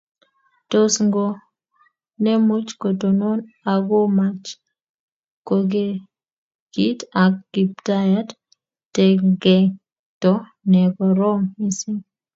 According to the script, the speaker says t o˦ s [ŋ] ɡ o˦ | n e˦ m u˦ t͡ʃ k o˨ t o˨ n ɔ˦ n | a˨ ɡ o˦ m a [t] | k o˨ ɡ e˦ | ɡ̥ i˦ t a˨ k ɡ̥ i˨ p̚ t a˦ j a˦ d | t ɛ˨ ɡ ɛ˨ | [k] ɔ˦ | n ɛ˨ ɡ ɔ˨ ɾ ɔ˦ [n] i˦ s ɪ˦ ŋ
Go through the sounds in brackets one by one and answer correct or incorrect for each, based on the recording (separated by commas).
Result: correct, incorrect, incorrect, incorrect